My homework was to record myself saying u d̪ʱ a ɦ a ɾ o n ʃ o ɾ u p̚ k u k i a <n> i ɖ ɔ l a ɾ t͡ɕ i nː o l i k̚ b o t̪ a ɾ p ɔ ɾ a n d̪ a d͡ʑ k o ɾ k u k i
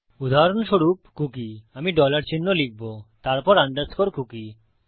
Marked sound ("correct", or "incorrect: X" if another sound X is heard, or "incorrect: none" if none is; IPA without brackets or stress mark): incorrect: m